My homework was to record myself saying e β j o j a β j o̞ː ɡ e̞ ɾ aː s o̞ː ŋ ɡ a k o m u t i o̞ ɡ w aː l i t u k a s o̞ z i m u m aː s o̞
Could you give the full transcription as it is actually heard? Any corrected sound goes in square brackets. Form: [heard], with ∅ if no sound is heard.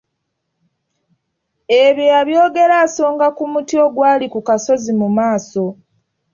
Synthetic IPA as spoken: e β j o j a β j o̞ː ɡ e̞ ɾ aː s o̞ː ŋ ɡ a k [u] m u t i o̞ ɡ w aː l i [k] u k a s o̞ z i m u m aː s o̞